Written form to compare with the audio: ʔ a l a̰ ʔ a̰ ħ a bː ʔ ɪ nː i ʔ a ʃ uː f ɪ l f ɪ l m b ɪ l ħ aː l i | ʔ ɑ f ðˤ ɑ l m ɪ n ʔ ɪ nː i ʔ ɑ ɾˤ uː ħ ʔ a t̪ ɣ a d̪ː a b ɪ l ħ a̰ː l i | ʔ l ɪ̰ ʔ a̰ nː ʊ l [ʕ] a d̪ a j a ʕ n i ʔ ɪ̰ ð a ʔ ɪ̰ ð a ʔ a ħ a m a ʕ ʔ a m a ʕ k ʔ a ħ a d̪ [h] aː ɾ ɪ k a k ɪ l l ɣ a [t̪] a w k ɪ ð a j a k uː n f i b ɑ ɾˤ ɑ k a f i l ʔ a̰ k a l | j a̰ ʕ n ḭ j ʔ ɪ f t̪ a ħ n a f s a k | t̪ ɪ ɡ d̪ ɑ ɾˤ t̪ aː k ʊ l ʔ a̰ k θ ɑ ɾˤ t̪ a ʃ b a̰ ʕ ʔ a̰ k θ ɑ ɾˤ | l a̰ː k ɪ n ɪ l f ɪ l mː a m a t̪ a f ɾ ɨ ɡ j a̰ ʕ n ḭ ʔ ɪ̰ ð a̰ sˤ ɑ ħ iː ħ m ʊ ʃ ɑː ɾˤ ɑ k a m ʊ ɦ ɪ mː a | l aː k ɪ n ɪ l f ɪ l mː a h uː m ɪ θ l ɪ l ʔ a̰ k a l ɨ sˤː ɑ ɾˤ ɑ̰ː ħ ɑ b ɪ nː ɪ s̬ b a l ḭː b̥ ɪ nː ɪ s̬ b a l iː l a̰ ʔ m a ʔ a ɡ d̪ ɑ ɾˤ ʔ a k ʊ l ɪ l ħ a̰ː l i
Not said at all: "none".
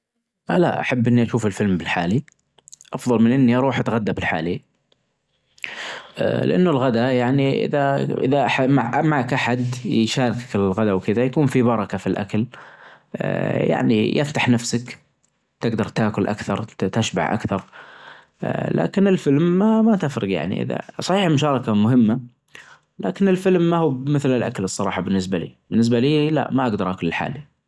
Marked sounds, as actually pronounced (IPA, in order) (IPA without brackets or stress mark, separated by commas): ɣ, ʃ, d̪